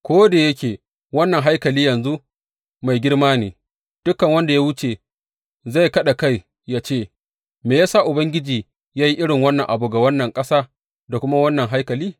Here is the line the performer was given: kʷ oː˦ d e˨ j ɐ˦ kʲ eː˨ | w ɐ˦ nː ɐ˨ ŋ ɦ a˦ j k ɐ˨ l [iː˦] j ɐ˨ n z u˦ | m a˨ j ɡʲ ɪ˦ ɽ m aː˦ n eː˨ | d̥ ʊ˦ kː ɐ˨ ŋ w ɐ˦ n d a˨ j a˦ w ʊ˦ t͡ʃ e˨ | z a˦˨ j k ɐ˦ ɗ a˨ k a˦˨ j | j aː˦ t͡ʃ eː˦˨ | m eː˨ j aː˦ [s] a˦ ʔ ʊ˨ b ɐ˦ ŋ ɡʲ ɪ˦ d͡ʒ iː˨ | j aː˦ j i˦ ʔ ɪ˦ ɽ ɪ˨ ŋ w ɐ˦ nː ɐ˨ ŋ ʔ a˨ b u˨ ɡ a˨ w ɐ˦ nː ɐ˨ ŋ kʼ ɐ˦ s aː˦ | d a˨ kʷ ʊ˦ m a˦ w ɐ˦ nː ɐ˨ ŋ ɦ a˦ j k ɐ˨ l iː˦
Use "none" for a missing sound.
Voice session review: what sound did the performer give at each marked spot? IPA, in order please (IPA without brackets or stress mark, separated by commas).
iː˦, s